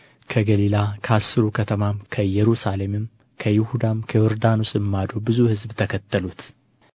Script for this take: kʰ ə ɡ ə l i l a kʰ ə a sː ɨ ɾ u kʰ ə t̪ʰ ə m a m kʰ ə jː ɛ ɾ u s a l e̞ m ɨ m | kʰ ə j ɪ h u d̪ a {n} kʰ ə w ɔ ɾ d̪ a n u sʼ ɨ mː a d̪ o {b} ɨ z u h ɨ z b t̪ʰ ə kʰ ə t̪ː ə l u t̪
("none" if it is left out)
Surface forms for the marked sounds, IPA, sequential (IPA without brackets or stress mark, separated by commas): m, b